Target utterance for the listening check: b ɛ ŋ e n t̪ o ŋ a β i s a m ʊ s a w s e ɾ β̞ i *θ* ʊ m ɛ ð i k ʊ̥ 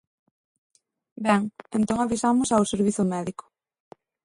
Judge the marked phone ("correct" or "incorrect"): correct